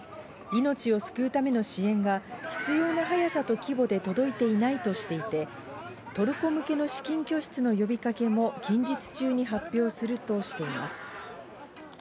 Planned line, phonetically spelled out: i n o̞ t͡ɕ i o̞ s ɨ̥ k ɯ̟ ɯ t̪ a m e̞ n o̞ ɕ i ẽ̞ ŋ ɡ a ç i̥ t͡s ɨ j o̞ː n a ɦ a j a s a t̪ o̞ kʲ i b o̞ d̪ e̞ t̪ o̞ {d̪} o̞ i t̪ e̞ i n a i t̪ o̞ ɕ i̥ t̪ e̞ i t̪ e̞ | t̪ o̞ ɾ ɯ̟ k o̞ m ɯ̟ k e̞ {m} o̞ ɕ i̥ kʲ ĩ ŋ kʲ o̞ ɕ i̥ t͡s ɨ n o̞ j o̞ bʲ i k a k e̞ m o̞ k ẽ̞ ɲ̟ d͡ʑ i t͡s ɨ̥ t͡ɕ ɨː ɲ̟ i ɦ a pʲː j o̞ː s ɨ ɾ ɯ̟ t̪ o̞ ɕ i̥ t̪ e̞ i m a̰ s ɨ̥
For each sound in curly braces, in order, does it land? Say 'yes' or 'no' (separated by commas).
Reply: yes, no